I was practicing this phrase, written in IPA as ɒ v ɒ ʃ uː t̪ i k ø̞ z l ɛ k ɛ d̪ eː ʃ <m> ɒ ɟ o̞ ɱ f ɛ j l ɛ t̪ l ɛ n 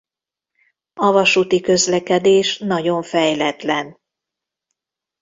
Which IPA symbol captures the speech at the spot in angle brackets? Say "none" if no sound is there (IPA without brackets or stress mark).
n